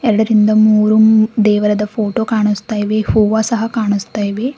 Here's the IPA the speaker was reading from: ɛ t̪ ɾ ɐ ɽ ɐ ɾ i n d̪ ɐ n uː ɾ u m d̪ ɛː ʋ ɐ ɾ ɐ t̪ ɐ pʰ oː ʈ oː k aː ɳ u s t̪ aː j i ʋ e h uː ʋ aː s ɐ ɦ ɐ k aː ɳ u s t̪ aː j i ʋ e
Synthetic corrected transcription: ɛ ɾ ɐ ɽ ɐ ɾ i n d̪ ɐ m uː ɾ u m d̪ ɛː ʋ ɐ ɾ ɐ d̪ ɐ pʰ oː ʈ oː k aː ɳ u s t̪ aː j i ʋ e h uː ʋ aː s ɐ ɦ ɐ k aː ɳ u s t̪ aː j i ʋ e